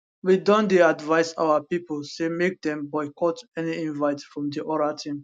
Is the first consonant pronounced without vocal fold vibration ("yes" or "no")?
no